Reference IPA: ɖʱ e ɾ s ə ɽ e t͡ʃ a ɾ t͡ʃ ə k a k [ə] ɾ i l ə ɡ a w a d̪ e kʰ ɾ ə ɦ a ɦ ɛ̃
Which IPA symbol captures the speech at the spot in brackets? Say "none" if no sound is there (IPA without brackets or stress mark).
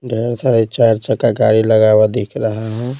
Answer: a